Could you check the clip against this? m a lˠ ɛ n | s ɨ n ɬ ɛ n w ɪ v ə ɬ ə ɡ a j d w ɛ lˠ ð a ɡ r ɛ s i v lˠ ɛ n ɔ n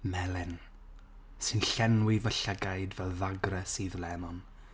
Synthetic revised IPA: m ɛ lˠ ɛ n | s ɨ n ɬ ɛ n w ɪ v ə ɬ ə ɡ a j d v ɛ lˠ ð a ɡ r ɛ s i ð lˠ ɛ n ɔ n